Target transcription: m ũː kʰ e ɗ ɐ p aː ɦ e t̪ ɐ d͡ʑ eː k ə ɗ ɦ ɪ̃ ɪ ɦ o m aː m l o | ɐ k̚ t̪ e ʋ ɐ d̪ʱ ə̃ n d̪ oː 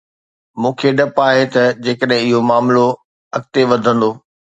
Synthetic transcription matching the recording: m ũː kʰ e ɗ ɐ p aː ɦ e t̪ ɐ d͡ʑ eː k ə ɗ ɦ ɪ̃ ɪ ɦ o m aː m l o | ɐ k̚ t̪ e ʋ ɐ d̪ʱ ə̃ n d̪ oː